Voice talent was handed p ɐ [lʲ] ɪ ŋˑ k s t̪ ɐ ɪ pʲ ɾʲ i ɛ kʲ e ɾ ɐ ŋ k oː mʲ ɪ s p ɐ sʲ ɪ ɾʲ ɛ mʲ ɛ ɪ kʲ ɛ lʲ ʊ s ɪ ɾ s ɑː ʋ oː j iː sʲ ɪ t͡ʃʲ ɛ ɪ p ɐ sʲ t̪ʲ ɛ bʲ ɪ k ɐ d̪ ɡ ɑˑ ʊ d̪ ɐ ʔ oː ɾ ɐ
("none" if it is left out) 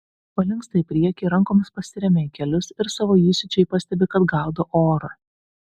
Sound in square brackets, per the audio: lʲ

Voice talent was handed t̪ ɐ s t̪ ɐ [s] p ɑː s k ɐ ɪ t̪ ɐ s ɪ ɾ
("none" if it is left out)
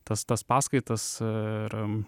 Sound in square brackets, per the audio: s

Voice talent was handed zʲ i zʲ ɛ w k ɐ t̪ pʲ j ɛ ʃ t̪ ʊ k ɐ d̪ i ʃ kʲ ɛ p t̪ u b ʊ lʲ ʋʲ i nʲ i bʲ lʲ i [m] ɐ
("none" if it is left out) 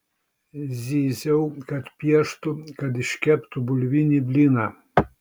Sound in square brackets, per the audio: n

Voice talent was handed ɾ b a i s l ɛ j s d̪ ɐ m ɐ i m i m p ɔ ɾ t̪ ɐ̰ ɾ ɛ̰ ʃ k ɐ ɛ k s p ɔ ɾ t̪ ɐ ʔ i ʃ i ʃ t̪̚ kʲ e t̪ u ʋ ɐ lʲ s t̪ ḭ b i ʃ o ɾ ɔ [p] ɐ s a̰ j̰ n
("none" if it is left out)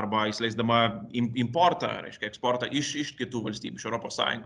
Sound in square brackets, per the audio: p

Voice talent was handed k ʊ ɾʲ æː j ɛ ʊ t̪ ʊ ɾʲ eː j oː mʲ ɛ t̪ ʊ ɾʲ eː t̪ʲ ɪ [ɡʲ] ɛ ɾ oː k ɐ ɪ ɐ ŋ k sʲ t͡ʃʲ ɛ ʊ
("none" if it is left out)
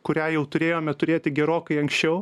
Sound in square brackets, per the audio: ɡʲ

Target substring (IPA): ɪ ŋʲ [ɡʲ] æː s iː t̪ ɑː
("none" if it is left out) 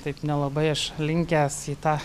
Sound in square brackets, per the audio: kʲ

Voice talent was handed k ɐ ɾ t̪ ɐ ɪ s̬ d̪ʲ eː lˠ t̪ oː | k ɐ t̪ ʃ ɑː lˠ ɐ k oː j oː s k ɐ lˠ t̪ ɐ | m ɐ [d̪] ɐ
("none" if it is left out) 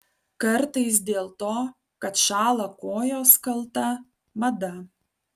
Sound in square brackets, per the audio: d̪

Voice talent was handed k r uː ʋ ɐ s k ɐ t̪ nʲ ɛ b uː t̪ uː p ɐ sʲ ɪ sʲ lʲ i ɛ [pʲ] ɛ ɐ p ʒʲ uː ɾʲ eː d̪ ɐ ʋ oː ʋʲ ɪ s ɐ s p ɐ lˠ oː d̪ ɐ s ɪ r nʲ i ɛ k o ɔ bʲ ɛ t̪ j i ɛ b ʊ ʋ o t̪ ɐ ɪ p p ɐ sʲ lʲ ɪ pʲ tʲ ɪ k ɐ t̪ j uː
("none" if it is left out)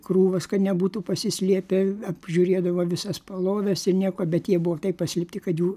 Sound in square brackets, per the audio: pʲ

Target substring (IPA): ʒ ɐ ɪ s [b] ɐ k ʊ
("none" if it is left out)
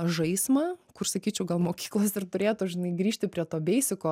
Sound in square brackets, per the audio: m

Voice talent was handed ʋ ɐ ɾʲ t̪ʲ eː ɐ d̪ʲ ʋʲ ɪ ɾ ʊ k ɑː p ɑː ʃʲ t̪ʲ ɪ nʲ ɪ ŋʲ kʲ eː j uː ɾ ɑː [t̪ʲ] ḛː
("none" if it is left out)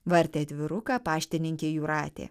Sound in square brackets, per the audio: t̪ʲ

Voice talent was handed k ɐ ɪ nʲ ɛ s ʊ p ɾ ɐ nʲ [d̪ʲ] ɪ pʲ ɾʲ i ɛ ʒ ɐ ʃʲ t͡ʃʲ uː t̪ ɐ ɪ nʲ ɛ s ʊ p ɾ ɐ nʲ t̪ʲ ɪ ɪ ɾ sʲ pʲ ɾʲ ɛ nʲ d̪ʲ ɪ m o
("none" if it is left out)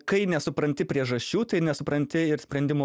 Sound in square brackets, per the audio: t̪ʲ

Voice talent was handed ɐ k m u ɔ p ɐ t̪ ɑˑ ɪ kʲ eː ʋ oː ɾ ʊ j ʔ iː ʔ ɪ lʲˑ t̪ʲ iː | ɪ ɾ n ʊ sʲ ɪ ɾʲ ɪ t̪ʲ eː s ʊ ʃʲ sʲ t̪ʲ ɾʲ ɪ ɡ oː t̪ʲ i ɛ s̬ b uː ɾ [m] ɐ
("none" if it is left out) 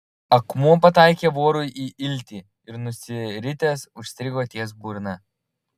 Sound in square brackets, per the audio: n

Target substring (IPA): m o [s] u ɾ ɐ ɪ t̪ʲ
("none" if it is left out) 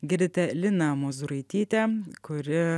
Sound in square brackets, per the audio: z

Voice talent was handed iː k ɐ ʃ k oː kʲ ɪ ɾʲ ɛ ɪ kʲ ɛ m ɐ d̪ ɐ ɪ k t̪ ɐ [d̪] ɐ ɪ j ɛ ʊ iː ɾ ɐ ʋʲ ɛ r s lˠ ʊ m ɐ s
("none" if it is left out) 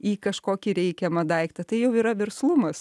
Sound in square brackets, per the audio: t̪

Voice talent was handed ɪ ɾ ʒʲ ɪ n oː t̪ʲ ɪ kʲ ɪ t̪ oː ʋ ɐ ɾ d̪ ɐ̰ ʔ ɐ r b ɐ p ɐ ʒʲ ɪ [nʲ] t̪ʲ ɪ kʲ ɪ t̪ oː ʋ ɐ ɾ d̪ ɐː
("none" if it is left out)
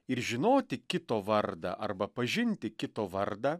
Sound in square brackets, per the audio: nʲ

